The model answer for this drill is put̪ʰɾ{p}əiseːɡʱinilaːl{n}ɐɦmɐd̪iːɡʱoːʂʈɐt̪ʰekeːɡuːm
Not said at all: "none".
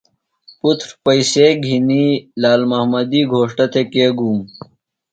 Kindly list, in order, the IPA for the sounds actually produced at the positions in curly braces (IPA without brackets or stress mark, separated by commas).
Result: p, m